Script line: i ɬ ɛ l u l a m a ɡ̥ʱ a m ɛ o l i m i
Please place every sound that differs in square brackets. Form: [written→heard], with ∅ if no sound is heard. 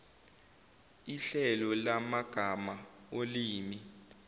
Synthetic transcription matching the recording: i ɬ ɛ l [u→ɔ] l a m a ɡ̥ʱ a m [ɛ→a] o l [i→iː] m i